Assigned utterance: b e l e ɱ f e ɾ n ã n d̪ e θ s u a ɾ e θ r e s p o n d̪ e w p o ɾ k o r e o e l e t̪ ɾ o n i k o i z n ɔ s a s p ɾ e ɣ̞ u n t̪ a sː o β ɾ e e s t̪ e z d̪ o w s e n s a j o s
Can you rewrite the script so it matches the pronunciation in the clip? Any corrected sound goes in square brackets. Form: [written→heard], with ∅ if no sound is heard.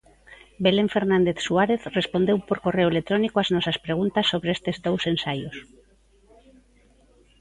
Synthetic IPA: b e l e ɱ f e ɾ n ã n d̪ e θ s u a ɾ e θ r e s p o n d̪ e w p o ɾ k o r e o e l e t̪ ɾ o n i k o [i→a] z n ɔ s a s p ɾ e ɣ̞ u n t̪ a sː o β ɾ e e s t̪ e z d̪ o w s e n s a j o s